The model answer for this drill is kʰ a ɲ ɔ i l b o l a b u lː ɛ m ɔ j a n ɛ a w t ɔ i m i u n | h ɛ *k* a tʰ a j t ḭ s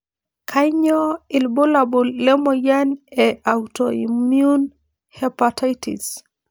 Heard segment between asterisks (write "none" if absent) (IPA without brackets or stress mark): p